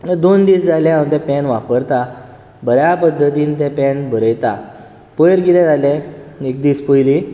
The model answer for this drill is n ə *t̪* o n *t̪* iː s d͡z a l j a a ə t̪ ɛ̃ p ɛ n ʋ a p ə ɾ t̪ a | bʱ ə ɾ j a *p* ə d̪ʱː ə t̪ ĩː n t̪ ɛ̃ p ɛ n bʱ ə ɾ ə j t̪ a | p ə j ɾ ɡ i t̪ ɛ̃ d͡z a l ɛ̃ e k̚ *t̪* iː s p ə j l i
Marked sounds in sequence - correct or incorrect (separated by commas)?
incorrect, incorrect, correct, incorrect